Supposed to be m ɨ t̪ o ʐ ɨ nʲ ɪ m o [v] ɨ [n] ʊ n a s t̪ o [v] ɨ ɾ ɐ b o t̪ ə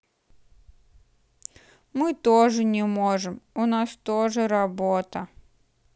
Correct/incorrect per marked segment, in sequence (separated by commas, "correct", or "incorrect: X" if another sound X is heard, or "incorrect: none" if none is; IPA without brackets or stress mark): incorrect: ʐ, incorrect: m, incorrect: ʐ